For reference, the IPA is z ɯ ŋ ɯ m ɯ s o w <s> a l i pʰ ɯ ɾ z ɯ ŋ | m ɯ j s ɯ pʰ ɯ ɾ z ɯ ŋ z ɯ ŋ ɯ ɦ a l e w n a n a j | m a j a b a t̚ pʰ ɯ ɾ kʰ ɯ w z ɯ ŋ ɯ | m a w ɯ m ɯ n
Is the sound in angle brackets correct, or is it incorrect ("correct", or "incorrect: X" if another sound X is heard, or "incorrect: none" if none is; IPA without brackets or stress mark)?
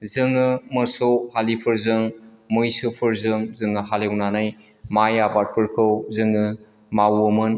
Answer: incorrect: h